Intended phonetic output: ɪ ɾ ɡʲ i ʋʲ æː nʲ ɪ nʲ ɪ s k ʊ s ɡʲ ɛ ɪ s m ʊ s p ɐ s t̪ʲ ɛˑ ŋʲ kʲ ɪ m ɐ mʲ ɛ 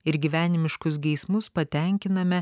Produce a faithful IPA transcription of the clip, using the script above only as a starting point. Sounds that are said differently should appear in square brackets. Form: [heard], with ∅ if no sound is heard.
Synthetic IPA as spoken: ɪ ɾ ɡʲ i ʋʲ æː nʲ ɪ [mʲ] ɪ [ʃ] k ʊ s ɡʲ ɛ ɪ s m ʊ s p ɐ [∅] t̪ʲ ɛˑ ŋʲ kʲ ɪ [n] ɐ mʲ ɛ